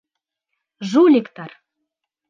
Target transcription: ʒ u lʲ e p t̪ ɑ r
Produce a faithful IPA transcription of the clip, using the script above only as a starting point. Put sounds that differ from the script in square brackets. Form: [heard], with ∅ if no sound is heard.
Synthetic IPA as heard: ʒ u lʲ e [k] t̪ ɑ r